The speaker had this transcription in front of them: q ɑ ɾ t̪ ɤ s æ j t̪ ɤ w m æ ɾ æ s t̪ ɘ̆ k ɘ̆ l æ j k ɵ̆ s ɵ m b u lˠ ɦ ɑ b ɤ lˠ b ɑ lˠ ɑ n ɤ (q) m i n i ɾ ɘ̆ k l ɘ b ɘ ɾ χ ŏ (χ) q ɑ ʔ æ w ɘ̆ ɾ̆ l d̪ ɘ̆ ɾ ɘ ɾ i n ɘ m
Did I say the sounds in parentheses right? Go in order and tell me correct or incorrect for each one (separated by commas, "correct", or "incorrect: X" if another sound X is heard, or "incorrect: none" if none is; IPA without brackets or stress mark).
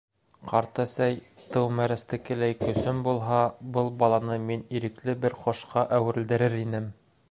incorrect: none, incorrect: ʃ